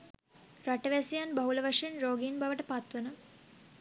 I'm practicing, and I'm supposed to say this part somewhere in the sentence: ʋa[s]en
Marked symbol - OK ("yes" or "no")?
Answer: no